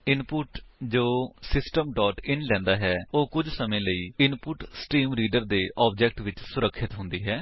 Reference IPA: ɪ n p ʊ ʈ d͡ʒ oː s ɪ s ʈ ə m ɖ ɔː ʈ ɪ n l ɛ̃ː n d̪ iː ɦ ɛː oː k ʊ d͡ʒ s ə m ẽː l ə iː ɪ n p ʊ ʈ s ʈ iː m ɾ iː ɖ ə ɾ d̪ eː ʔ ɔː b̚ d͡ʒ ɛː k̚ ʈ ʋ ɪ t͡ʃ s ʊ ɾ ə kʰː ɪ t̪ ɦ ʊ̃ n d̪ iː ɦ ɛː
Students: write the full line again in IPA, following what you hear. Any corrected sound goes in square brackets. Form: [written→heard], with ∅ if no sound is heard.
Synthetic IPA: ɪ n p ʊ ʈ d͡ʒ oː s ɪ s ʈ ə m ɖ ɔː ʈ ɪ n l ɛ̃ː n d̪ [iː→aː] ɦ ɛː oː k ʊ d͡ʒ s ə m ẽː l ə iː ɪ n p ʊ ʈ s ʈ iː m ɾ iː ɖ ə ɾ d̪ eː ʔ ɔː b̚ d͡ʒ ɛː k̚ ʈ ʋ ɪ t͡ʃ s ʊ ɾ ə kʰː ɪ t̪ ɦ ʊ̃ n d̪ iː ɦ ɛː